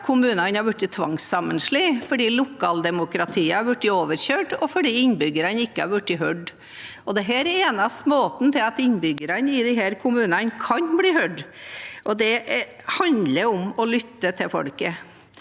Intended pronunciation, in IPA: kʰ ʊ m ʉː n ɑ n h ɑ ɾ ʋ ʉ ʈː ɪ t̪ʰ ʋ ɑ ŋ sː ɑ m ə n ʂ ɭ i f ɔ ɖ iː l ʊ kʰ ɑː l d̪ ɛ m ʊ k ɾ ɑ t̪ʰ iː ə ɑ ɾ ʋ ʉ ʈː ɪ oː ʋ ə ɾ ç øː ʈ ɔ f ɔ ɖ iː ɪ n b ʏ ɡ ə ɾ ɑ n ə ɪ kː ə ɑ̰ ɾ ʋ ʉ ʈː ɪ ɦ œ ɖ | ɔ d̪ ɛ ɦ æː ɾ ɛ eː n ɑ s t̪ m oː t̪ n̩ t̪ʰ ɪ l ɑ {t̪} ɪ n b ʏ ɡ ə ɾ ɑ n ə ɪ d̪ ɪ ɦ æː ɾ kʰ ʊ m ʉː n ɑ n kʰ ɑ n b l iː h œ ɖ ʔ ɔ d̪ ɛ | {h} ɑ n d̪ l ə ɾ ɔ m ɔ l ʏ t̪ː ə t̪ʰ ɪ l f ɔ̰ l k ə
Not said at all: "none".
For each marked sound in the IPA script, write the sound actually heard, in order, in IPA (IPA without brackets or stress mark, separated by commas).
t̪, h